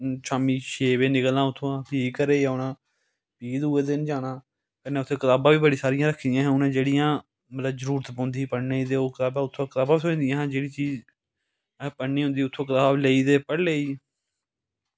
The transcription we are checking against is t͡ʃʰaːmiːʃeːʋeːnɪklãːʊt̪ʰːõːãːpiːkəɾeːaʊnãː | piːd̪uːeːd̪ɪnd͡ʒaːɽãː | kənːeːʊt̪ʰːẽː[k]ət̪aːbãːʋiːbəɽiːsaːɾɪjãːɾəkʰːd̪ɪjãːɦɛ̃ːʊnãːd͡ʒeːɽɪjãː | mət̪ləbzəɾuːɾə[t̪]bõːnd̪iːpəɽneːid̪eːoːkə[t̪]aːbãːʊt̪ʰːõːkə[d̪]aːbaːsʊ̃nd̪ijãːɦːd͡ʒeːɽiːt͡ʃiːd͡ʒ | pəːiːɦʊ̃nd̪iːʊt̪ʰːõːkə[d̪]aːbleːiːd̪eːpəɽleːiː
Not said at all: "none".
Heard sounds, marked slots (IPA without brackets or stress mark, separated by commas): k, t̪, t̪, t̪, t̪